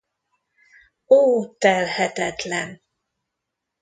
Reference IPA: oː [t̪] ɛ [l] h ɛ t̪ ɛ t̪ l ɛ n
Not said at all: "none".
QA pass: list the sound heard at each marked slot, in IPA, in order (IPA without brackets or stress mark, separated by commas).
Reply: t̪, l